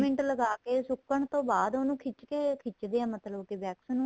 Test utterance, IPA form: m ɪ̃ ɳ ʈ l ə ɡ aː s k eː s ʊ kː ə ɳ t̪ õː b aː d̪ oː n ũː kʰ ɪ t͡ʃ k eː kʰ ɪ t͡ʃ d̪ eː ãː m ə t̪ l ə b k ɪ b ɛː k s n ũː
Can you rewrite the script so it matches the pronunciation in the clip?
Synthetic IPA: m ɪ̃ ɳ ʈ l ə ɡ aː k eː s ʊ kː ə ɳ t̪ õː b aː d̪ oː n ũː kʰ ɪ t͡ʃ k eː kʰ ɪ t͡ʃ d̪ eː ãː m ə t̪ l ə b k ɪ b ɛː k s n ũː